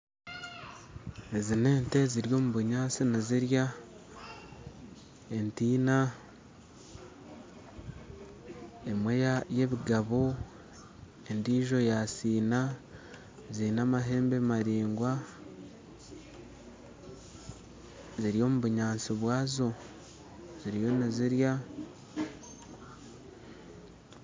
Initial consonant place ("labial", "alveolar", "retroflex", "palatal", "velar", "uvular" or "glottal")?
alveolar